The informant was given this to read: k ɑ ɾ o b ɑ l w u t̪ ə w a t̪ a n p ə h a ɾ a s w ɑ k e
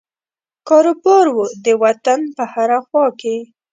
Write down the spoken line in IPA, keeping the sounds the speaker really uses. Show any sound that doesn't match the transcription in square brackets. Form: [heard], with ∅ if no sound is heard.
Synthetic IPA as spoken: k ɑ ɾ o b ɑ [ɾ] w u [d̪] ə w a t̪ a n p ə h a ɾ a [x] w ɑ k e

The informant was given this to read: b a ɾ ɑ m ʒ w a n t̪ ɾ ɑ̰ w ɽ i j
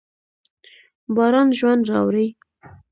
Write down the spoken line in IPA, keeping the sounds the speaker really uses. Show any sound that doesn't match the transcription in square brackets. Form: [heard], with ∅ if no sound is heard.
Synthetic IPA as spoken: b [ɑ] ɾ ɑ [n] ʒ w a n [d̪] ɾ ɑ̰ w [ɾ] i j

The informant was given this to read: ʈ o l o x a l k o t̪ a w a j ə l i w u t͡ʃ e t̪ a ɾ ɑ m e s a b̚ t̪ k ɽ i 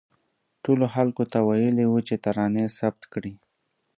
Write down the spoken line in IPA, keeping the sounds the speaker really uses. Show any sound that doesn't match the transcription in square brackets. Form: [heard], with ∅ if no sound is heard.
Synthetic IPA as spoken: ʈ o l o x a l k o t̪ a w a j ə l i w u t͡ʃ e t̪ a ɾ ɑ [n] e s a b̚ t̪ k ɽ i

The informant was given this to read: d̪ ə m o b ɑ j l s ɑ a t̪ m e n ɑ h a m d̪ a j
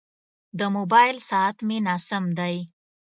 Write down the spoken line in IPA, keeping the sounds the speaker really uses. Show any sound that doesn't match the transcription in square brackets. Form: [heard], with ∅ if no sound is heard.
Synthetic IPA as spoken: d̪ ə m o b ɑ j l s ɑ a t̪ m e n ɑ [s] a m d̪ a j

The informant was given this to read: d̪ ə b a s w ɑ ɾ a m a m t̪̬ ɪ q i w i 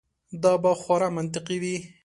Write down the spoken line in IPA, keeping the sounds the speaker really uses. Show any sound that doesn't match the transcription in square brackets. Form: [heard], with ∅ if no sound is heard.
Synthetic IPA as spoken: d̪ [ɑ] b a [x] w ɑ ɾ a m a [n] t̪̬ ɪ q i w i

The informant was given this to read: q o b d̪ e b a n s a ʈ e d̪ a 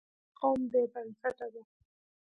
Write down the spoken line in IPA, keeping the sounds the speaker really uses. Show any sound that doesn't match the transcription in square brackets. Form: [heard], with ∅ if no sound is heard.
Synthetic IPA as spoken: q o [m] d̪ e b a n s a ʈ [a] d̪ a

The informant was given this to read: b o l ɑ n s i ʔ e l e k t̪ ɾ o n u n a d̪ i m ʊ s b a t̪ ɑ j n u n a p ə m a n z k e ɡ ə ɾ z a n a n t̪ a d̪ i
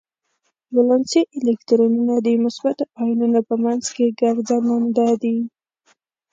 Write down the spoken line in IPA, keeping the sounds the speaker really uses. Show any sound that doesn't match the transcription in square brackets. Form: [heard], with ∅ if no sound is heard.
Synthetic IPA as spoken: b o l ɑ n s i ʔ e l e k t̪ ɾ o n u n a d̪ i m ʊ s b a t̪ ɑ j n u n a p ə m a n z k e ɡ [a] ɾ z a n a n [d̪] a d̪ i

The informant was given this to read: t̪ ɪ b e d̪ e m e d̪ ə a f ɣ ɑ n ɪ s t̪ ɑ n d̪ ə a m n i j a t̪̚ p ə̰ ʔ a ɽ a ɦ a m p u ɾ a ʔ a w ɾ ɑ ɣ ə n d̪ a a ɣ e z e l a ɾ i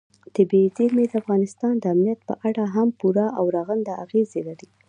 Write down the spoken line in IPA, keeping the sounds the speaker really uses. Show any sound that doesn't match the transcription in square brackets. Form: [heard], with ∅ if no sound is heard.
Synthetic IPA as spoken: t̪ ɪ b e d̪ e m e d̪ ə a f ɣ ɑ n ɪ s t̪ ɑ n d̪ ə a m n i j a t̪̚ p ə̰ ʔ a ɽ a ɦ a m p u ɾ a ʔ a w ɾ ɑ ɣ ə n d̪ a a ɣ e z e l a ɾ i

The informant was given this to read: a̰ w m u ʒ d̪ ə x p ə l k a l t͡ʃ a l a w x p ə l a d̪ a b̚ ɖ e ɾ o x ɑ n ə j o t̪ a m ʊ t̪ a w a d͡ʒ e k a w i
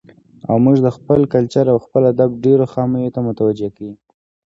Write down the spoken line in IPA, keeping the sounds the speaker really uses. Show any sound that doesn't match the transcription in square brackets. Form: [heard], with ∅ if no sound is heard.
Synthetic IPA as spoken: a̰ w m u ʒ d̪ ə x p ə l k a l t͡ʃ a [ɾ] a w x p ə l a d̪ a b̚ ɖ e ɾ o x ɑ [m] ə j o t̪ a m ʊ t̪ a w a d͡ʒ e k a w i

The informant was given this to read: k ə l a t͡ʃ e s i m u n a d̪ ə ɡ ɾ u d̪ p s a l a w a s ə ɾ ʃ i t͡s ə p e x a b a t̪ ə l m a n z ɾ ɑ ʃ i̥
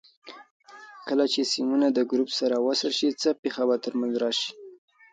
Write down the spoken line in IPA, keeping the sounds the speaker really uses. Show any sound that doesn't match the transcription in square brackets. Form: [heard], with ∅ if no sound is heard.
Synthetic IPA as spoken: k ə l a t͡ʃ e s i m u n a d̪ ə ɡ ɾ u [∅] p s a [ɾ] a w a s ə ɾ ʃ i t͡s ə p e x a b a t̪ ə [ɾ] m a n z ɾ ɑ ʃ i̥

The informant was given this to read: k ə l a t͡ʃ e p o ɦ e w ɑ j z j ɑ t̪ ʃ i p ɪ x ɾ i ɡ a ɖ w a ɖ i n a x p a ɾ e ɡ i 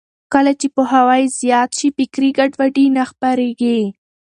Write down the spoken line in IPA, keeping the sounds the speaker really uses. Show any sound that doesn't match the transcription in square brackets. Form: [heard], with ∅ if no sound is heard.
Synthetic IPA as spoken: k ə l a t͡ʃ e p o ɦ [a] w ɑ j z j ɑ t̪ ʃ i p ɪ [k] ɾ i ɡ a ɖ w a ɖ i n a x p a ɾ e ɡ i

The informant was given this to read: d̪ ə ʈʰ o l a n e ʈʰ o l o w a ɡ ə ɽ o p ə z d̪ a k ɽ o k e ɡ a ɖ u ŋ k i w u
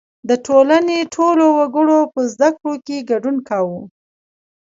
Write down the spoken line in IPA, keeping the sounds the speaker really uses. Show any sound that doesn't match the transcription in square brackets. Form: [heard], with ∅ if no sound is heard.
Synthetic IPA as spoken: d̪ ə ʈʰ o l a n e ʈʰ o l o w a ɡ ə ɽ o p ə z d̪ a k ɽ o k e ɡ a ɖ u [n] k [a] w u

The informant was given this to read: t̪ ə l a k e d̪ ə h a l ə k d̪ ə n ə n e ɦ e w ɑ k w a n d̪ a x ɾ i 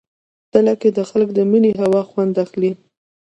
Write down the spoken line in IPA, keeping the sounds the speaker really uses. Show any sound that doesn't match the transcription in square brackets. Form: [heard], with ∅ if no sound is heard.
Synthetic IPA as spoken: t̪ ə l a k e d̪ ə [x] a l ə k d̪ ə [m] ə n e ɦ [a] w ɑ [x] w a n d̪ a x [l] i

